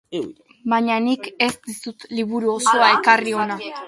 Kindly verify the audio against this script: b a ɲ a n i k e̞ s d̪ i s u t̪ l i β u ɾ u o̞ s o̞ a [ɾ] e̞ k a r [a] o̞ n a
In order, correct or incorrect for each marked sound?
incorrect: none, incorrect: i

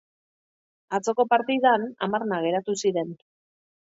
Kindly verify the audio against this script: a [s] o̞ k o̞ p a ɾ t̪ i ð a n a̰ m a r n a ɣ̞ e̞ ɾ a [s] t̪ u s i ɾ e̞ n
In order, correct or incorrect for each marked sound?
incorrect: t͡s, incorrect: none

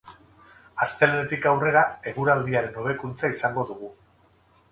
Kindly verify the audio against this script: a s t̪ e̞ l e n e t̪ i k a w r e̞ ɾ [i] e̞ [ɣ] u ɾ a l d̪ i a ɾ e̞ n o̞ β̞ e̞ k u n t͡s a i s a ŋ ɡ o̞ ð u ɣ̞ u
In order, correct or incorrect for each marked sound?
incorrect: a, correct

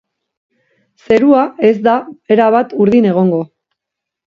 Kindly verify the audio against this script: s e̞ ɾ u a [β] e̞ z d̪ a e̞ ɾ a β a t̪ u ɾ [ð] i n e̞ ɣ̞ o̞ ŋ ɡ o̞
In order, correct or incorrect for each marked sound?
incorrect: none, correct

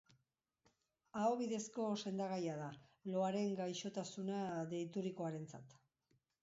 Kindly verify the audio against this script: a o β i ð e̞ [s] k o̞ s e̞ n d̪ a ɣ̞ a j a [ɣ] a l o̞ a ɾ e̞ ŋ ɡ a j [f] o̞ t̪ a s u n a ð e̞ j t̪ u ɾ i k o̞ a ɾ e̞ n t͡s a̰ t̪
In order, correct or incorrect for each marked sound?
correct, incorrect: ð, incorrect: ʃ

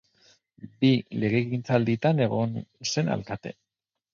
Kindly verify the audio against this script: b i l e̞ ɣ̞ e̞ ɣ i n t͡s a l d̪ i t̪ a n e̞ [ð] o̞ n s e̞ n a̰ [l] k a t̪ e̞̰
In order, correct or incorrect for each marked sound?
incorrect: ɣ, correct

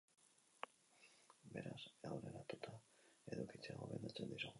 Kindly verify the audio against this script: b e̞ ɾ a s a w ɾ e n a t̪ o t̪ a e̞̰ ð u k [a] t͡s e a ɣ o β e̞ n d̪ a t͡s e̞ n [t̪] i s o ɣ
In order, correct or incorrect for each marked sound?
incorrect: i, incorrect: d̪

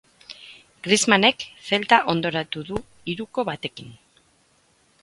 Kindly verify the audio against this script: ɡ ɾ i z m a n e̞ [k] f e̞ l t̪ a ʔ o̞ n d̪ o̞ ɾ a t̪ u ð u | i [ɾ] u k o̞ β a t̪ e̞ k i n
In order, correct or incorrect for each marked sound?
correct, correct

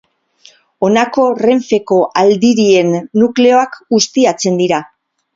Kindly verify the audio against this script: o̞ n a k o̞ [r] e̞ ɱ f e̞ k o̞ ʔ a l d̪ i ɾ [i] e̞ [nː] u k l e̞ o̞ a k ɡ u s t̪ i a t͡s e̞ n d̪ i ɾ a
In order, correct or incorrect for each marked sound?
correct, correct, correct

